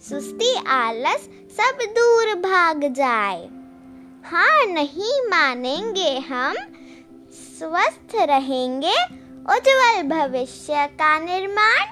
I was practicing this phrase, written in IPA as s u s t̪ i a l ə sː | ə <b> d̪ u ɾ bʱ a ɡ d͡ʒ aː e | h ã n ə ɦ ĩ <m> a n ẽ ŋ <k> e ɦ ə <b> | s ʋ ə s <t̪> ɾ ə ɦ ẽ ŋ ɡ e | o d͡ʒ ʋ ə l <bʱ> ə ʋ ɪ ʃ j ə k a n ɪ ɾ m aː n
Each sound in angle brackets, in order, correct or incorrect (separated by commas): correct, correct, incorrect, incorrect, incorrect, correct